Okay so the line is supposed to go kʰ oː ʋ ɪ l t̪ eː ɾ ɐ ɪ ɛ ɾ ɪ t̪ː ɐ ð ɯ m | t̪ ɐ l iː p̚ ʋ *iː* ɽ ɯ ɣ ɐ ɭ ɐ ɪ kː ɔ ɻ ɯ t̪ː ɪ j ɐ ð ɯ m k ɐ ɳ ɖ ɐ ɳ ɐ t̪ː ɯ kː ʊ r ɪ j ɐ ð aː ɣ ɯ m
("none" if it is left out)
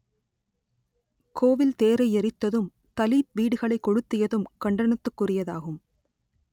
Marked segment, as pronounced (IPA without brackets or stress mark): iː